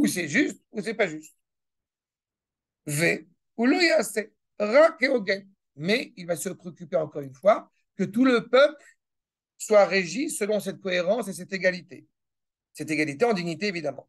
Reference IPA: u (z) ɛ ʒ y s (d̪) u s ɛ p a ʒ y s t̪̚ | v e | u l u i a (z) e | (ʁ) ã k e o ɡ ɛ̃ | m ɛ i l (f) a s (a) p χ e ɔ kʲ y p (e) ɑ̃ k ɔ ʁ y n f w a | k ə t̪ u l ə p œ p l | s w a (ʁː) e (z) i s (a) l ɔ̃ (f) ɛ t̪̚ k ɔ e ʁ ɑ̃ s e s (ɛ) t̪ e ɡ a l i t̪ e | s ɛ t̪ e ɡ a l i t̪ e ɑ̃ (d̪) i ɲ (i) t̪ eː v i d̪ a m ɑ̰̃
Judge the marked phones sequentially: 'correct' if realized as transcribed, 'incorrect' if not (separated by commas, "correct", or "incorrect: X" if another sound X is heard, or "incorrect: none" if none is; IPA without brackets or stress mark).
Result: incorrect: s, incorrect: t̪, incorrect: s, correct, incorrect: v, incorrect: ə, correct, incorrect: ʁ, incorrect: ʒ, incorrect: ə, incorrect: s, correct, correct, correct